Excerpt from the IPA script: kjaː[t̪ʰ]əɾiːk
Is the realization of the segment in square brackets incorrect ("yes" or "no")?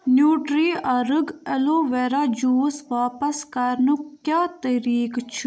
yes